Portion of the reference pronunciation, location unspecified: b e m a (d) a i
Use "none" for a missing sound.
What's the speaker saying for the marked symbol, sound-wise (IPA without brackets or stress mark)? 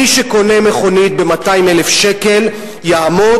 t